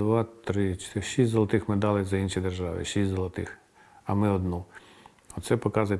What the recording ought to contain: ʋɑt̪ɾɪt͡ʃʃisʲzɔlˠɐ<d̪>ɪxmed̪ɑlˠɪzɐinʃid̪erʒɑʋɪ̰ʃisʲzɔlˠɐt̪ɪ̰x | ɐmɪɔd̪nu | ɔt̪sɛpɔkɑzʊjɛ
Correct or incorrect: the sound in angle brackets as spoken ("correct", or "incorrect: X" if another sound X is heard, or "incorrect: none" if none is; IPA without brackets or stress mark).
incorrect: t̪